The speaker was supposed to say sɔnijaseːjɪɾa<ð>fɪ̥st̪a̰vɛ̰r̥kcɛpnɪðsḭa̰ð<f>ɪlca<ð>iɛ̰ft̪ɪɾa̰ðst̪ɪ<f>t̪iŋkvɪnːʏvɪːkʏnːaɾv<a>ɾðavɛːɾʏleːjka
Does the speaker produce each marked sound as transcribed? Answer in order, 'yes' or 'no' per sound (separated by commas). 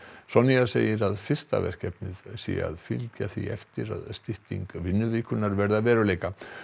yes, yes, no, no, no